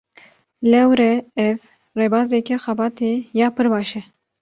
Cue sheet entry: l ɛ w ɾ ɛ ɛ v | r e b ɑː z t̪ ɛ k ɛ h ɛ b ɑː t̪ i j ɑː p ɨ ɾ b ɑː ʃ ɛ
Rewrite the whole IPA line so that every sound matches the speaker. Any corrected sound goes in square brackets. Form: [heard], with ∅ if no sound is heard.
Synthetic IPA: l ɛ w ɾ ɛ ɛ v | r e b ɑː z [d̪] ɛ k ɛ [x] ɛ b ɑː t̪ [e] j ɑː p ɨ ɾ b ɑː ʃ ɛ

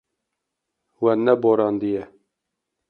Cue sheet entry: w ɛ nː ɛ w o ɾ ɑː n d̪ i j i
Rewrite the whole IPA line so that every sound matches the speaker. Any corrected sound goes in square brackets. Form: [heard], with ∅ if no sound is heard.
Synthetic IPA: w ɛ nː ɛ [b] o ɾ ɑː n d̪ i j [ɛ]

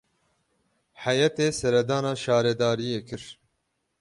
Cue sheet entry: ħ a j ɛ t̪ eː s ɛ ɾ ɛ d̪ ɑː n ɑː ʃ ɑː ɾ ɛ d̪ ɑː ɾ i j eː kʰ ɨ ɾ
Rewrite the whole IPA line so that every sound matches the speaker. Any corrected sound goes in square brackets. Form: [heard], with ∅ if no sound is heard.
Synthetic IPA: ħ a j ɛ t̪ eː s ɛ ɾ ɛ d̪ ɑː n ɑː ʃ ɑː ɾ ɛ d̪ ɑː ɾ i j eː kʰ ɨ ɾ

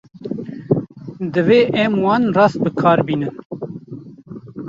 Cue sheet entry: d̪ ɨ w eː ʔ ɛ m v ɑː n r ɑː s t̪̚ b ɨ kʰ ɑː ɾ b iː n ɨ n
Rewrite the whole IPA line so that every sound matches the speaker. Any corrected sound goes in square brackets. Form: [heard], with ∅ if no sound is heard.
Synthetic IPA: d̪ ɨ [v] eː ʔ ɛ m [w] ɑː n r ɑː s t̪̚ b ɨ kʰ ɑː ɾ b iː n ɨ n

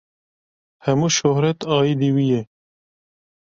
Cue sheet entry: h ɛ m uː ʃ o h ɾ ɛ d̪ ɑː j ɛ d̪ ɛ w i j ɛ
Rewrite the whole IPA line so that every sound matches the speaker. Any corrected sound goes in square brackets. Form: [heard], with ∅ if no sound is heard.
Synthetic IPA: h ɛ m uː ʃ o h ɾ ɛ [t̪] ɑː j [i] d̪ [i] w i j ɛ

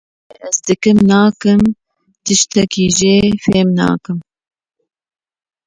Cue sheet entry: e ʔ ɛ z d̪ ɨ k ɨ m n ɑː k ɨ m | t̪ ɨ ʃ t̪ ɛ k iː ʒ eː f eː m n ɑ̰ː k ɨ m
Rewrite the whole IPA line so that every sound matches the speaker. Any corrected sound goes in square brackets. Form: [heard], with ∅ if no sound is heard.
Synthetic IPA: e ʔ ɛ z d̪ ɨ k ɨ m n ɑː k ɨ m | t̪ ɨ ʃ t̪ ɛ k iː ʒ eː f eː m n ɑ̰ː k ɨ m

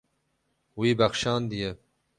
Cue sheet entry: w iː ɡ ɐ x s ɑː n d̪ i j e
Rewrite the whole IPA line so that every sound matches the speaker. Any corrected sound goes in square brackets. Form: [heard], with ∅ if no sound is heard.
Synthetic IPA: w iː [b] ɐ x [ʃ] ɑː n d̪ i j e

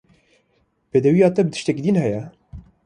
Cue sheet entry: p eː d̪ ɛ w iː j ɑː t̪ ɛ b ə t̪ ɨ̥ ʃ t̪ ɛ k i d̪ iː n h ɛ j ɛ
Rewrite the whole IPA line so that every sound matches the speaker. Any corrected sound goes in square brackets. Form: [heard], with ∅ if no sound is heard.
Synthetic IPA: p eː d̪ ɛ w [i] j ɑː t̪ ɛ b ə t̪ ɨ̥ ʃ t̪ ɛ k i d̪ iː n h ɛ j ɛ

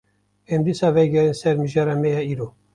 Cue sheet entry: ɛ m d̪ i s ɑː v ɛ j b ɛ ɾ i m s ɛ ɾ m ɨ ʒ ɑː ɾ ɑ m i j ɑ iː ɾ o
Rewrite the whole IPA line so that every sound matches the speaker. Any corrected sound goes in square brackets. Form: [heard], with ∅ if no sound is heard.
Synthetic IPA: ɛ m d̪ i s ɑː v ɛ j [ɡ] ɛ ɾ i [n] s ɛ ɾ m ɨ ʒ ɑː ɾ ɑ m [ɛ] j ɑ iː ɾ o

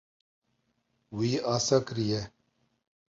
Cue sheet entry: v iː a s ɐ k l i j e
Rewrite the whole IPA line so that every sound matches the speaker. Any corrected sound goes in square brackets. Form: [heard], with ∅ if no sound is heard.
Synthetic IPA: [w] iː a s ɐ k [ɾ] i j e

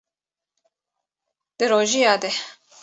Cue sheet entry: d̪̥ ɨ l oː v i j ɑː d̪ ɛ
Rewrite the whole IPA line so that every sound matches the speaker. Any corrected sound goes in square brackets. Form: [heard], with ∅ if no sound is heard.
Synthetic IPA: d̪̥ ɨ [ɾ] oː [ʒ] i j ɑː d̪ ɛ

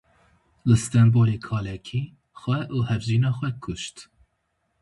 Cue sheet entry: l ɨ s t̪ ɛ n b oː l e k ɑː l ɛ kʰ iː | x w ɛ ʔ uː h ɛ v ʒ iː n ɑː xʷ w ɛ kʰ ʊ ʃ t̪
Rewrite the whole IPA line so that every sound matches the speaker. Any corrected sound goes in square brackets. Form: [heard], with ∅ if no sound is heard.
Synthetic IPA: l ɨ s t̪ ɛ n b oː l e [kʰ] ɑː l ɛ kʰ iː | x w ɛ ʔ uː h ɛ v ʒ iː n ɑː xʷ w ɛ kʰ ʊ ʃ t̪

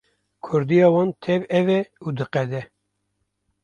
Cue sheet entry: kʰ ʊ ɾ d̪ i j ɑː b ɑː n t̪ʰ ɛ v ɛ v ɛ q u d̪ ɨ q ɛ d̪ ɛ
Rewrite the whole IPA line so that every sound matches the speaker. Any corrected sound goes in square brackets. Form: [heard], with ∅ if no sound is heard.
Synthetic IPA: kʰ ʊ ɾ d̪ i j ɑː [w] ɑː n t̪ʰ ɛ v ɛ v ɛ [∅] u d̪ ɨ q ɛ d̪ ɛ

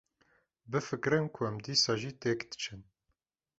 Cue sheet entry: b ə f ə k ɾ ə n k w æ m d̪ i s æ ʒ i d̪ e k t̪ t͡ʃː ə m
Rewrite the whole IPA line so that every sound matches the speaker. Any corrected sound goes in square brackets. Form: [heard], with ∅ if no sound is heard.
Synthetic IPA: b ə f ə k ɾ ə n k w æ m d̪ i s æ ʒ i [t̪] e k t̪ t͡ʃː ə [n]

